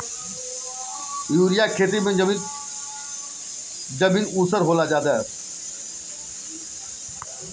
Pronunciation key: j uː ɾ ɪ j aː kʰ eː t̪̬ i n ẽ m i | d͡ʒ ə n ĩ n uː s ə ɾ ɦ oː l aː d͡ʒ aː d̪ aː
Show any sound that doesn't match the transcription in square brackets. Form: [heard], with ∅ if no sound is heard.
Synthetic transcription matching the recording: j uː ɾ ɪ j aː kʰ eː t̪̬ i [m] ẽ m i | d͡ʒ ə [m] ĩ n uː s ə ɾ ɦ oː l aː d͡ʒ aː d̪ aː